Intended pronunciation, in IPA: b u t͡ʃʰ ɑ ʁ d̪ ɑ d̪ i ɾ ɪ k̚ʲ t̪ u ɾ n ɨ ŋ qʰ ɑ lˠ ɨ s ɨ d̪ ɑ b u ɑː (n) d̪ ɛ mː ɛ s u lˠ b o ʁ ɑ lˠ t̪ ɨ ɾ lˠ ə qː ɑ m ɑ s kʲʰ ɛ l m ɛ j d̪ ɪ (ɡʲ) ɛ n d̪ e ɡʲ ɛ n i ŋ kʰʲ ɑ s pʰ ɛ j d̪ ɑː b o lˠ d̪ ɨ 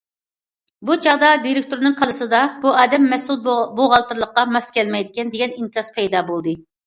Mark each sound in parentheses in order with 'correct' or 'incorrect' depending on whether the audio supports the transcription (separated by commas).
incorrect, incorrect